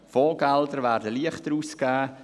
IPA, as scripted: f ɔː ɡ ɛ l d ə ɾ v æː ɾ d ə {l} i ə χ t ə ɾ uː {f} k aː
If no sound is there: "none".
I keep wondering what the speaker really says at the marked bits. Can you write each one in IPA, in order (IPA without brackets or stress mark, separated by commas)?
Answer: l, s